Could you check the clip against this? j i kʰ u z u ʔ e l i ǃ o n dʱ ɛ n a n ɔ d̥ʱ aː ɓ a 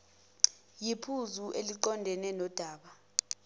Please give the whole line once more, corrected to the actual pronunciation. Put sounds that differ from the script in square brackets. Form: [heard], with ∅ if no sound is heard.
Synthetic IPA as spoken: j i [pʰ] u z u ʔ e l i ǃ [ɔ] n dʱ ɛ n [ɛ] n ɔ d̥ʱ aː ɓ a